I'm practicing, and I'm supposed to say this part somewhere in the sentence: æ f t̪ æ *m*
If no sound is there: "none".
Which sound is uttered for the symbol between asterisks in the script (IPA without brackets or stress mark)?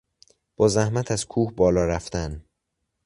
n